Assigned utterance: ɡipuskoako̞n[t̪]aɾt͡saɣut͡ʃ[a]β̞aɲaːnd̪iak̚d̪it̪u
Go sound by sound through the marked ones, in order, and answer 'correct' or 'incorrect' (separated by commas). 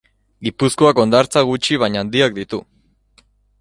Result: incorrect, incorrect